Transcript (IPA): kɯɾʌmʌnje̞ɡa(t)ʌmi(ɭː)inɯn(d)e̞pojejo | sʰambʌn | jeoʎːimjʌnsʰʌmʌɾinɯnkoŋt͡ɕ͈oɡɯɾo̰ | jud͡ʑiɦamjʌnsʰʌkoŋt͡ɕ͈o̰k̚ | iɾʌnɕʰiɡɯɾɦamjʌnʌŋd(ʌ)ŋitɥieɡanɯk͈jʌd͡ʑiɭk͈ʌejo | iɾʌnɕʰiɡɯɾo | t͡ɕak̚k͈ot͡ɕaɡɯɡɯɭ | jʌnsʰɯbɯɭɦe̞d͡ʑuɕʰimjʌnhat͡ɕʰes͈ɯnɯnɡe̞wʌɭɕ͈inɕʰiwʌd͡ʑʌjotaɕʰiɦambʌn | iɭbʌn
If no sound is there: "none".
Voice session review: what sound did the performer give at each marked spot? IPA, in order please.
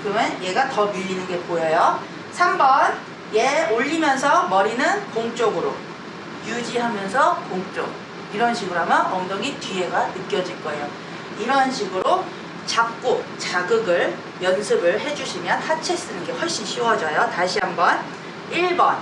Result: t, ʎː, ɡ, ʌ

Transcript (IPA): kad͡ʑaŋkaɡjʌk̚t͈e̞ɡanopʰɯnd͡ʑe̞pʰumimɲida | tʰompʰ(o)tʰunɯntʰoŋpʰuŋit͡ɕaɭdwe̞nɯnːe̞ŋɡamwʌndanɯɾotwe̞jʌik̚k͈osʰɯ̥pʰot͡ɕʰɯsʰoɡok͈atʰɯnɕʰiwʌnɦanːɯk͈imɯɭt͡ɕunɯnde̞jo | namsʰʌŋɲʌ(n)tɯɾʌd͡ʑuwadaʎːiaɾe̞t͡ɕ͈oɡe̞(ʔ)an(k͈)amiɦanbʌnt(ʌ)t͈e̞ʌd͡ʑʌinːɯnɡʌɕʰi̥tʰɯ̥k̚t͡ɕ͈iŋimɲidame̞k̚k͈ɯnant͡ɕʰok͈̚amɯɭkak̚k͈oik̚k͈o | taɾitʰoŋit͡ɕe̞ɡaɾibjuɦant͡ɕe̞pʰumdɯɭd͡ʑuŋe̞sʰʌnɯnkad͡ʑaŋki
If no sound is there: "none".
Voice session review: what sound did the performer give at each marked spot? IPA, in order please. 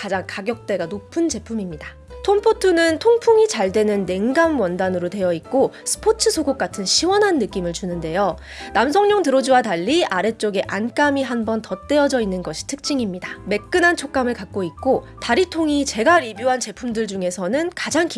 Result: o, ŋ, ʔ, k͈, ʌ

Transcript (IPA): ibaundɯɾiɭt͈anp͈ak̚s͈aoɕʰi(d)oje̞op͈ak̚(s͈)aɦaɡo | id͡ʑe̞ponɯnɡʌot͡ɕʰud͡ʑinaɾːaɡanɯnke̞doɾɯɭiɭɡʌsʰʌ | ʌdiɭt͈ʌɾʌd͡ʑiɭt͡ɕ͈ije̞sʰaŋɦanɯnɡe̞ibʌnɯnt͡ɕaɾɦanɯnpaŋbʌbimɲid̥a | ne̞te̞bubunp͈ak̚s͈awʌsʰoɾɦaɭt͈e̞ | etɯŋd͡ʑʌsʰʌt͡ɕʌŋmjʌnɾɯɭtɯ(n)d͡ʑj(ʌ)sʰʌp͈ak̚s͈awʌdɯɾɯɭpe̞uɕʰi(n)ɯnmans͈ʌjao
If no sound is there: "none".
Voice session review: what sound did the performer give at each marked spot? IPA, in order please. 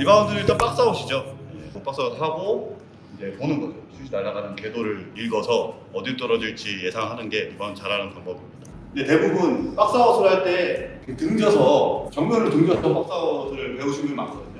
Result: d͡ʑ, s͈, ŋ, ʌ, m

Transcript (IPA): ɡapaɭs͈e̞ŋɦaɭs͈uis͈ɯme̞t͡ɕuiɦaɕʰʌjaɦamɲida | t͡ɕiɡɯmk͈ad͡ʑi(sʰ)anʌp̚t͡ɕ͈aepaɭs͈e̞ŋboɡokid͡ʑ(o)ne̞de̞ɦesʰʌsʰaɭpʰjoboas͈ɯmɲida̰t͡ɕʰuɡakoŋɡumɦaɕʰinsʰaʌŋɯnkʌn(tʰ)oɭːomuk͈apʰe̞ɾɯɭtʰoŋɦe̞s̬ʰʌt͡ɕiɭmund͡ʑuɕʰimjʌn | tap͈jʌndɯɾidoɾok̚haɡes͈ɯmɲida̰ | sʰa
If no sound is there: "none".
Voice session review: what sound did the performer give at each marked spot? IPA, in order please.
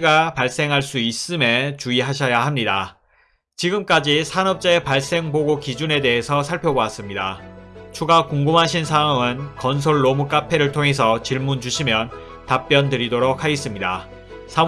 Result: sʰ, u, sʰ

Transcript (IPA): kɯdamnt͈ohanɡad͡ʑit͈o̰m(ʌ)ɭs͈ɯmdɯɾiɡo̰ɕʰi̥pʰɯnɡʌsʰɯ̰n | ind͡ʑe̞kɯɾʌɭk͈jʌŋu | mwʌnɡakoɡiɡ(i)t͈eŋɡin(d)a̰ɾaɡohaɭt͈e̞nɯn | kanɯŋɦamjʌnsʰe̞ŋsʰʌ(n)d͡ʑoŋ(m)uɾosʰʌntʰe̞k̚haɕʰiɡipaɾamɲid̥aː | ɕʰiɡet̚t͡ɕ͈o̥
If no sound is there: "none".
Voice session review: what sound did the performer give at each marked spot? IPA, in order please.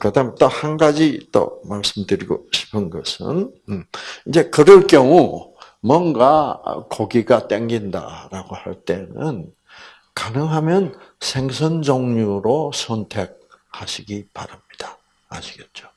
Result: a, a, d, n, ɲ

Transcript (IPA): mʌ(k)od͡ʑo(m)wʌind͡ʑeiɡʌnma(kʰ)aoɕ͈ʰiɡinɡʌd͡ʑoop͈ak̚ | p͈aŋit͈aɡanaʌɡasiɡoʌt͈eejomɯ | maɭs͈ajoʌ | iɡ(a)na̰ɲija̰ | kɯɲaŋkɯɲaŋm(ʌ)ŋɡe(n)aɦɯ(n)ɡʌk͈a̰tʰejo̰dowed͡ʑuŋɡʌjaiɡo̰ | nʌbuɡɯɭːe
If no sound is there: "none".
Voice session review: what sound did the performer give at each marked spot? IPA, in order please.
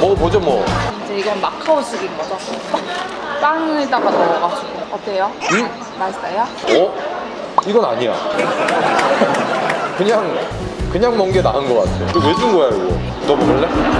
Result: p, m, kʰ, ʌ, ʌ, n, n

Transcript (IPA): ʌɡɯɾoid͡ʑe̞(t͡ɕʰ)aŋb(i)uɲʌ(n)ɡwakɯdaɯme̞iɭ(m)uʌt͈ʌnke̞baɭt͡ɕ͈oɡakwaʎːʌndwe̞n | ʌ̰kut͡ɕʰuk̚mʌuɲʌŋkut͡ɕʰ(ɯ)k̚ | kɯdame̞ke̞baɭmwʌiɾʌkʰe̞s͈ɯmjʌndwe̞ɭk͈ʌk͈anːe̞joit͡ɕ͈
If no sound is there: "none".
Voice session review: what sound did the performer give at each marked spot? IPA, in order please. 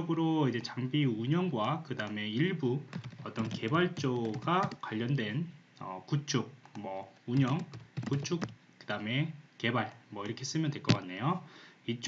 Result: t͡ɕ, i, ŋ, b, u

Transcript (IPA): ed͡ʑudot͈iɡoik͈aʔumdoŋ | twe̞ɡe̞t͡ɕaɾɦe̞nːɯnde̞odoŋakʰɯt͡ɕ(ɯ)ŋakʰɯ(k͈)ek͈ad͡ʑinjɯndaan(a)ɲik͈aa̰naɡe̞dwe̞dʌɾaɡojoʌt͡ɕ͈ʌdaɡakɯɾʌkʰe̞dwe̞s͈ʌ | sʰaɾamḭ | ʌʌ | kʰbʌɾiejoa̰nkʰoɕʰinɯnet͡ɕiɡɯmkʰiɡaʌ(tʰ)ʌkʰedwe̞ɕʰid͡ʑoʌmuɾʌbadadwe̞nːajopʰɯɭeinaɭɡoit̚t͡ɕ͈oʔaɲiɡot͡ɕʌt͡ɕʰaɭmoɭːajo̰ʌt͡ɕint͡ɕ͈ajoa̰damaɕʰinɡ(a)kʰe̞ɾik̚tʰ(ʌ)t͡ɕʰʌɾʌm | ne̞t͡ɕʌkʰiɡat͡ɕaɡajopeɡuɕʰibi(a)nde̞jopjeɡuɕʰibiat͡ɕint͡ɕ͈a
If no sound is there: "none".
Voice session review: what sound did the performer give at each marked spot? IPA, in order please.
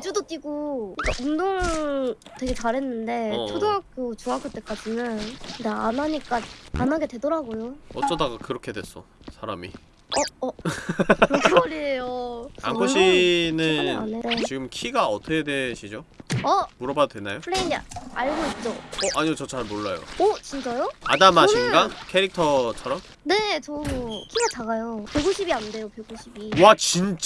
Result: u, t͈, a, tʰ, a, ʌ, a

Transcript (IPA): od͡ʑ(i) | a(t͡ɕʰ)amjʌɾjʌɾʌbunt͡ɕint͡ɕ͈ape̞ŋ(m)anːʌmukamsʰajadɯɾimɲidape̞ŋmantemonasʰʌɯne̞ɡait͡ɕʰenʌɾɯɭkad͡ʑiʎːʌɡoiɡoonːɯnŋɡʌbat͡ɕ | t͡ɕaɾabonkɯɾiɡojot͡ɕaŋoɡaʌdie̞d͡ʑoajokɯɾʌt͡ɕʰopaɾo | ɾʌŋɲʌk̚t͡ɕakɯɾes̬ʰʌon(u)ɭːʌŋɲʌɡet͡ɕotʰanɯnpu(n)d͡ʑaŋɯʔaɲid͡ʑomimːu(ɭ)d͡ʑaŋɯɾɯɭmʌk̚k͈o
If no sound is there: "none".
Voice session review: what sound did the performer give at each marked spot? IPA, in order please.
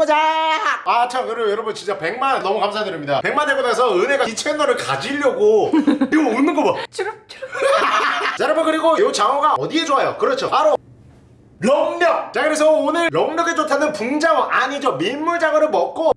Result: a, t͡ɕʰ, m, ɯ, ŋ, ɭ

